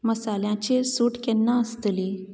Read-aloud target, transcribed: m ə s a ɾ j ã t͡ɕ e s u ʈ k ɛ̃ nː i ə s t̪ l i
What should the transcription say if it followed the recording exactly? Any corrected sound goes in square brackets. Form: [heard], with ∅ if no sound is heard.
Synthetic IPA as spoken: m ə s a [l] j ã t͡ɕ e s u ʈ k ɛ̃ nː [a] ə s t̪ l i